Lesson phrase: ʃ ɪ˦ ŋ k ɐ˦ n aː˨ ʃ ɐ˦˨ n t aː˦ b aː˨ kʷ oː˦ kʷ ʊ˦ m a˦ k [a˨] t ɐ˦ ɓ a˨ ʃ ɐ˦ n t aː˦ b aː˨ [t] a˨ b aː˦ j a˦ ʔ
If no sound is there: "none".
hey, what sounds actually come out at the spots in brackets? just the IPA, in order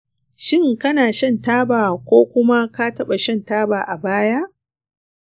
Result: a˦, ʔ

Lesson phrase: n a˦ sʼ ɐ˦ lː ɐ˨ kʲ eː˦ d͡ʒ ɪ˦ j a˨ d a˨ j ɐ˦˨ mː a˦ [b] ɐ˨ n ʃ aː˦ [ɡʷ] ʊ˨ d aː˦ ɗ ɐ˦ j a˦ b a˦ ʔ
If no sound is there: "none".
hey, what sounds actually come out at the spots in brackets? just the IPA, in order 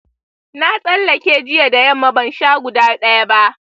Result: b, ɡʷ

